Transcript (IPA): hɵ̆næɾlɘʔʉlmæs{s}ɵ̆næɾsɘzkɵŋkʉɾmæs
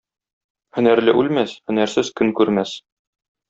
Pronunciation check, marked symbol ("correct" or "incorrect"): incorrect